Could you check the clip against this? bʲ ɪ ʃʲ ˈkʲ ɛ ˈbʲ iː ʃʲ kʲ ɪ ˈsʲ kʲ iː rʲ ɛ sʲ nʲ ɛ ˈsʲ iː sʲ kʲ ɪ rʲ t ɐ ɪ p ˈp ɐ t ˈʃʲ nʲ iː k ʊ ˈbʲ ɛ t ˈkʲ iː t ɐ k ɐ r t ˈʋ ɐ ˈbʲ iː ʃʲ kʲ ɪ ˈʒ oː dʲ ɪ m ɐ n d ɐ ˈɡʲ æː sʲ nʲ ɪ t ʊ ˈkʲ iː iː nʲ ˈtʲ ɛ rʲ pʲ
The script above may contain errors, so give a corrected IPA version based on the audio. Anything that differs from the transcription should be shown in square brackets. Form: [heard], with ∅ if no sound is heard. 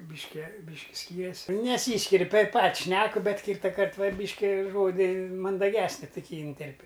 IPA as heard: bʲ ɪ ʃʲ ˈkʲ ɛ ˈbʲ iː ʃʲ kʲ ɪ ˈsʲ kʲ iː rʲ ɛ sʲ nʲ ɛ ˈsʲ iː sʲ kʲ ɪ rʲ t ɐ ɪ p ˈp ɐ t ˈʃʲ nʲ [æː] k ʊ ˈbʲ ɛ t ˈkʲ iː t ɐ k ɐ r t ˈʋ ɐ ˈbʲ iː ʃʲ kʲ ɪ ˈʒ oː dʲ ɪ m ɐ n d ɐ ˈɡʲ æː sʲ nʲ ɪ t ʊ ˈkʲ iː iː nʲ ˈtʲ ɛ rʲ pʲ